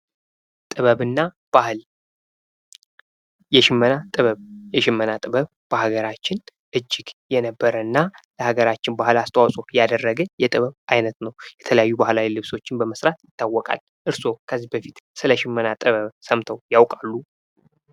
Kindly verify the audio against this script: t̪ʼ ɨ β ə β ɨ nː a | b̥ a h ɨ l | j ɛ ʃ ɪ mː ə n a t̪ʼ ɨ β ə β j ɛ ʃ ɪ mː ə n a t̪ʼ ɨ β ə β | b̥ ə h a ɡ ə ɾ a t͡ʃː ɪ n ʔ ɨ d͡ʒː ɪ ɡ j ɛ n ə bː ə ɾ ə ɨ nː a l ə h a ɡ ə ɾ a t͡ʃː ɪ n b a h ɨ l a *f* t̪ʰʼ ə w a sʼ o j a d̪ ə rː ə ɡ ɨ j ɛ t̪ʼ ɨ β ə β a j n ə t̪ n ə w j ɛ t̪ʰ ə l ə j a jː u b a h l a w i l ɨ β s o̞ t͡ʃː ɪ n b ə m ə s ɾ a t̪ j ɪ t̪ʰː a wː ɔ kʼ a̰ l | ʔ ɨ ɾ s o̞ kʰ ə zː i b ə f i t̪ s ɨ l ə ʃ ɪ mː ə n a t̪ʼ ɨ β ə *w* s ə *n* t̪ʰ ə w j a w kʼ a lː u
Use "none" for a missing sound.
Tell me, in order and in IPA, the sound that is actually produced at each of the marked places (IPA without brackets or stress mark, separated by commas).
s, β, m